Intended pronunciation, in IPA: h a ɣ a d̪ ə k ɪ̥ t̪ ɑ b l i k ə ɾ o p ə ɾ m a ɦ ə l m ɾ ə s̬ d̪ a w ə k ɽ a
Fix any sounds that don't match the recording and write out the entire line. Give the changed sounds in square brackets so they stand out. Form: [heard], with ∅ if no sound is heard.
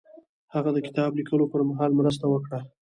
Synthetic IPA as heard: h a ɣ a d̪ ə k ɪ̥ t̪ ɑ b l i k ə [l] o p ə ɾ m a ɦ [ɑ] l m ɾ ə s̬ [t̪] a w ə k ɽ a

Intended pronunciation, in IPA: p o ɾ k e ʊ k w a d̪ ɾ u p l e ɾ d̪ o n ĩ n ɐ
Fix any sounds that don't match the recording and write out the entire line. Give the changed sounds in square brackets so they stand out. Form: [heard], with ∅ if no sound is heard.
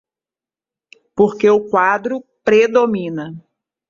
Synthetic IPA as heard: p o ɾ k e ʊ k w a d̪ ɾ [ʊ] p [ɾ] e [∅] d̪ o [m] ĩ n ɐ

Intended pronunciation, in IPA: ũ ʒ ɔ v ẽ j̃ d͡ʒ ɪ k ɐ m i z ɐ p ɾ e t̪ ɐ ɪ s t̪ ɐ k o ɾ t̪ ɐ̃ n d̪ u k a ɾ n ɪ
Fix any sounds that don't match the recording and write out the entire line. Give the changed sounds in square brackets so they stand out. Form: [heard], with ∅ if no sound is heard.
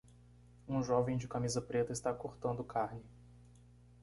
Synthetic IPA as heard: ũ ʒ ɔ v ẽ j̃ d͡ʒ ɪ k [a] m i z ɐ p ɾ e t̪ ɐ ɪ s t̪ [a] k o ɾ t̪ ɐ̃ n d̪ [ʊ] k a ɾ n ɪ

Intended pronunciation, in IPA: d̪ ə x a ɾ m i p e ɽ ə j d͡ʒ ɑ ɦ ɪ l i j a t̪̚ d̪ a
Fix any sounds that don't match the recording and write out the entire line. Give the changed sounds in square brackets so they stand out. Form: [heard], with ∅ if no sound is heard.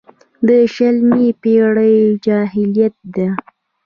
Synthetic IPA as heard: d̪ ə [ʃ] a [l] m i p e ɽ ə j d͡ʒ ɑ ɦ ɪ l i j a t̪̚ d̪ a

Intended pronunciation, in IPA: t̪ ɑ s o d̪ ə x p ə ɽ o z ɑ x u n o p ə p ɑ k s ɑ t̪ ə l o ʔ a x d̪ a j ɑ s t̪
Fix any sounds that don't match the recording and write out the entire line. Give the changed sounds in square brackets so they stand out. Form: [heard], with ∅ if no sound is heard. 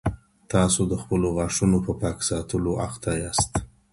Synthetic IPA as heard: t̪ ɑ s o d̪ ə x p ə [l] o [ɣ] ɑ [ʂ] u n o p ə p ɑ k s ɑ t̪ ə l o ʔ a x [t̪] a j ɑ s t̪

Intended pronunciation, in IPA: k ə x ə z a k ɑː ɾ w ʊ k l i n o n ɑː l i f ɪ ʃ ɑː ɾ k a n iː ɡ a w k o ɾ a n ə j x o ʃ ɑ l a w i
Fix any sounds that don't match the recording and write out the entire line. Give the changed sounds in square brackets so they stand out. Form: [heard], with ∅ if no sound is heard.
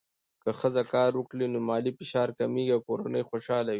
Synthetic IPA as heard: k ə x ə z a k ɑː ɾ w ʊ k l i n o [m] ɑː l i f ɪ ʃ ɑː ɾ k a [m] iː ɡ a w k o ɾ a n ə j x o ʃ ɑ l a w i

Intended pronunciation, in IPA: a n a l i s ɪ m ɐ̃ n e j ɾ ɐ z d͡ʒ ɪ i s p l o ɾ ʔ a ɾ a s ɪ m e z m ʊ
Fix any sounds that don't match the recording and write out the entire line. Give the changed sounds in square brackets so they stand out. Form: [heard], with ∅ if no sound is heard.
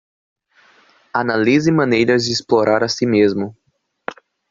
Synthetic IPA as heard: a n a l i [z] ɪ m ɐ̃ n e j ɾ ɐ z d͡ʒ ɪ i s p l o ɾ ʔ a ɾ a s [i] m e z m ʊ

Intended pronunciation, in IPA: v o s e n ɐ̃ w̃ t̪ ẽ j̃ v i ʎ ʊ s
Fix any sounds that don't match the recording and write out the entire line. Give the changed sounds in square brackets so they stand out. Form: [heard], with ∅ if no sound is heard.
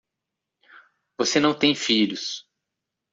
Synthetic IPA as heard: v o s e n ɐ̃ w̃ t̪ ẽ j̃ [f] i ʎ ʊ s

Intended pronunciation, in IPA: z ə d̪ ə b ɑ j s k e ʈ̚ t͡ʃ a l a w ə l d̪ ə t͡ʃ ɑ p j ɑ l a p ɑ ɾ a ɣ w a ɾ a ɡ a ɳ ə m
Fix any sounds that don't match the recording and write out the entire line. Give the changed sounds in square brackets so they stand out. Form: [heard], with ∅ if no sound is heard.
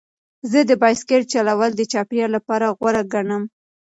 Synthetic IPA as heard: z ə d̪ ə b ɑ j s k e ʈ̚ t͡ʃ a l a w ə l d̪ ə t͡ʃ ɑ p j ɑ l a p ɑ ɾ a ɣ w a ɾ a ɡ a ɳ ə m

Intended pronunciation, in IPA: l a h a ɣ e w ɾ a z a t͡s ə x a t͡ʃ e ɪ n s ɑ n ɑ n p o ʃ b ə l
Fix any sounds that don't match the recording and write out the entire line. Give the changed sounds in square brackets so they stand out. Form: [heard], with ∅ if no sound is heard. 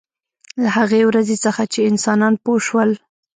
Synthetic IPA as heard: l a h a ɣ e w ɾ a z [e] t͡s ə x a t͡ʃ e ɪ n s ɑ n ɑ n p o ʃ [w] ə l

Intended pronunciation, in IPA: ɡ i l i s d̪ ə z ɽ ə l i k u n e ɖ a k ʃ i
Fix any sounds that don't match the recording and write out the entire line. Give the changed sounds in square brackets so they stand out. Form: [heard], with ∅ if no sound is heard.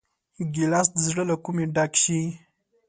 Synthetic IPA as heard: ɡ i l [a] s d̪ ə z ɽ ə l [a] k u [m] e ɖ a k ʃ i

